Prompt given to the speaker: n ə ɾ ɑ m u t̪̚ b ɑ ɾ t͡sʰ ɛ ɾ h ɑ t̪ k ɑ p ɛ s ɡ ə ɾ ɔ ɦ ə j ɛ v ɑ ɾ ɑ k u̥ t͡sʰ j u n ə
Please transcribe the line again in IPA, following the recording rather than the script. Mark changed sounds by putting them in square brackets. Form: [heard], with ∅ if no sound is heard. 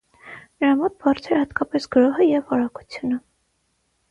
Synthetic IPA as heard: n ə ɾ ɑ m [ɔ] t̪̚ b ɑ ɾ t͡sʰ ɛ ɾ h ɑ t̪ k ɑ p ɛ s ɡ ə ɾ ɔ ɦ ə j ɛ v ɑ ɾ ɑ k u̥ t͡sʰ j u n ə